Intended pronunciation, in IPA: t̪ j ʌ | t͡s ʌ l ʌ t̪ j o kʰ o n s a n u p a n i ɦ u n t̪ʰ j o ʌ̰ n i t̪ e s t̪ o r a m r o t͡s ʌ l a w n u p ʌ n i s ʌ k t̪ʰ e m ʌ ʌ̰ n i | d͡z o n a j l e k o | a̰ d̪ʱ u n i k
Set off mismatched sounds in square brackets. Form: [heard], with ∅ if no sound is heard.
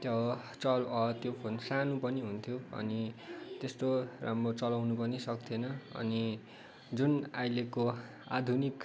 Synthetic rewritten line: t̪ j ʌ | t͡s ʌ l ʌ t̪ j o [pʰ] o n s a n u p [ʌ] n i ɦ u n t̪ʰ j o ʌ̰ n i t̪ e s t̪ o r a m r o t͡s ʌ l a w n u p ʌ n i s ʌ k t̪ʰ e [n] ʌ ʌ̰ n i | d͡z [u] n a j l e k o | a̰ d̪ʱ u n i k